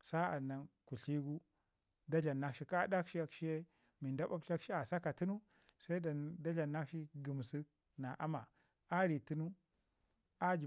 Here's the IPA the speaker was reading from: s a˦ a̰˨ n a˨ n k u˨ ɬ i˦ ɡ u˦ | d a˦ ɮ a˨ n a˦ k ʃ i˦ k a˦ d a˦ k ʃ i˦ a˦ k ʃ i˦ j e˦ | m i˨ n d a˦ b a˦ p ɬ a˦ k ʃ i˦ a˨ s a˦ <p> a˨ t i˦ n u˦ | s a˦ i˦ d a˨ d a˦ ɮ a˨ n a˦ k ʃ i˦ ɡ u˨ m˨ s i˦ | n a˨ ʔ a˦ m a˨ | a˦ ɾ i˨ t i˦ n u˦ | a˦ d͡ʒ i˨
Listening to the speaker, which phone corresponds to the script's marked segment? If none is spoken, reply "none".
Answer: k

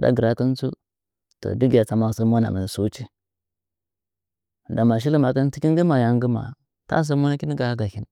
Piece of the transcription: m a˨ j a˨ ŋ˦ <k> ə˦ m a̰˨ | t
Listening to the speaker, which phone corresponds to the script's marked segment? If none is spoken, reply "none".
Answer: ɡ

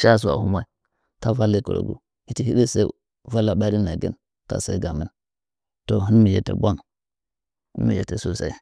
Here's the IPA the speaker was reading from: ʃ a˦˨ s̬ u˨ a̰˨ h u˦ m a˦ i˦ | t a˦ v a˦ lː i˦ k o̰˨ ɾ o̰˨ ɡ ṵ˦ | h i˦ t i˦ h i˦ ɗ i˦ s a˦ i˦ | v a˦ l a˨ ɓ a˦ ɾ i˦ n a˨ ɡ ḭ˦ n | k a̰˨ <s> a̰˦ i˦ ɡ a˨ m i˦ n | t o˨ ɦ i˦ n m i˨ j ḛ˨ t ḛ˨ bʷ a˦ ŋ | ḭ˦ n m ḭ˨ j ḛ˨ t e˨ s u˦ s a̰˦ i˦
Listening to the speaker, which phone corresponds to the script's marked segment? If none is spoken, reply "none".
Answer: s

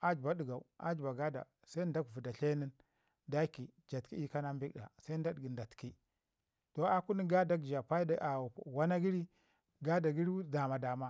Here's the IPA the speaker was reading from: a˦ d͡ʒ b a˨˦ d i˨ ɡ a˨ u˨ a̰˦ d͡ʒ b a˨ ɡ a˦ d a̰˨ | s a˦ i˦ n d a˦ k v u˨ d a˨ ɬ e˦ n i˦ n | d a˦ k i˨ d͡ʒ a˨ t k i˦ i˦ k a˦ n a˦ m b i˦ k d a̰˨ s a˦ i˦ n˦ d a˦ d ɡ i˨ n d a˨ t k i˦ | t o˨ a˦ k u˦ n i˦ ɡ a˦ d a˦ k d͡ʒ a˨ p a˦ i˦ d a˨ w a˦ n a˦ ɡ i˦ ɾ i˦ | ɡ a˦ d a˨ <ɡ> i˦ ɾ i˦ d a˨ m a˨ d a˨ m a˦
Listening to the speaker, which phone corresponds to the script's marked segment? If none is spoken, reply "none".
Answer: ɡ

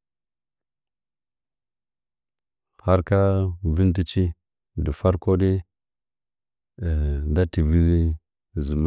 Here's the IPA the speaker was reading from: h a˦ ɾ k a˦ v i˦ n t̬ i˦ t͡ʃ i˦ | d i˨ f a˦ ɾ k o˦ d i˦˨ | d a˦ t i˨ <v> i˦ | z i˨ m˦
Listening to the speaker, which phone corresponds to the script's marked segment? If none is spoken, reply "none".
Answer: v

